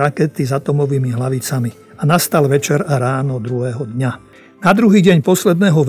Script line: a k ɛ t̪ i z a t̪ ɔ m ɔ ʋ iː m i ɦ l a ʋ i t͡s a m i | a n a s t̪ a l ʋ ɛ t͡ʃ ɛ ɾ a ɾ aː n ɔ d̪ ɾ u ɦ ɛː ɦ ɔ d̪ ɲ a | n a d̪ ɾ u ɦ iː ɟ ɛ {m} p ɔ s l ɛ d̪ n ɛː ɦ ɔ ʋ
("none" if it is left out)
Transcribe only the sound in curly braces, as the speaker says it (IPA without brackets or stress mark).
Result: ɲ